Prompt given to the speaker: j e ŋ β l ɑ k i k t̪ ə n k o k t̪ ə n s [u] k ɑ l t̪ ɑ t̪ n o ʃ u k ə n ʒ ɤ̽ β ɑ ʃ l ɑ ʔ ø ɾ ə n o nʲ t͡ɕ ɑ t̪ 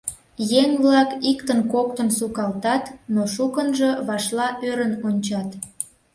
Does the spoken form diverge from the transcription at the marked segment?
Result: no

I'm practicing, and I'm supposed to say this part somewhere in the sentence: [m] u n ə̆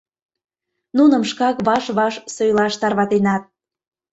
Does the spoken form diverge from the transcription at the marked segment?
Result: yes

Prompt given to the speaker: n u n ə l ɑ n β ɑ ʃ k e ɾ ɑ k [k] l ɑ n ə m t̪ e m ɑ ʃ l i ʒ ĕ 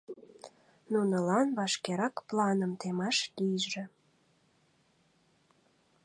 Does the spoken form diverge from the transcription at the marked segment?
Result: yes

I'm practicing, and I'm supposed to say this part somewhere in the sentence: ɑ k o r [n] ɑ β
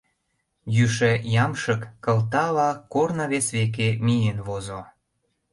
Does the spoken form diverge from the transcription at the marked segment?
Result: no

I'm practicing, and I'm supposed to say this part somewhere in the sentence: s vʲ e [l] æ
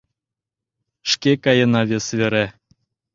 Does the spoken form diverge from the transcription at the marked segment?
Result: yes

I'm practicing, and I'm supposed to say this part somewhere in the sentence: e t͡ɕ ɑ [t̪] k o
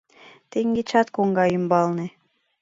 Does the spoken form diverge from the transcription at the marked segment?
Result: no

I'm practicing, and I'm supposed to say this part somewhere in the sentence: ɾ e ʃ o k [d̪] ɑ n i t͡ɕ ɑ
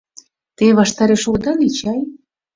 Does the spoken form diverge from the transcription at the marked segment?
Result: no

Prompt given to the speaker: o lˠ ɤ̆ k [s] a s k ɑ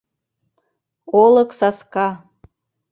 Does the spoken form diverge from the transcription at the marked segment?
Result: no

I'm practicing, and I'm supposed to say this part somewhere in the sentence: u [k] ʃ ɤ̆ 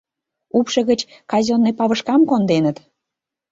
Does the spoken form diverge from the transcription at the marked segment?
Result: yes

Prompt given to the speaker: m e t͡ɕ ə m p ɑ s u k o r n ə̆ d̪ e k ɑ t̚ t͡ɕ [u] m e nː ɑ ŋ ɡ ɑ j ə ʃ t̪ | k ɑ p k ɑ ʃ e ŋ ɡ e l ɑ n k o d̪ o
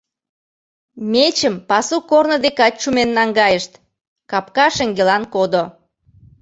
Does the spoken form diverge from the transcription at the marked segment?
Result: no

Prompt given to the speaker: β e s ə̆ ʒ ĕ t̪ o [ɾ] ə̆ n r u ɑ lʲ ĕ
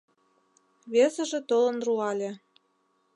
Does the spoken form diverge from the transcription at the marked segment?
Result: yes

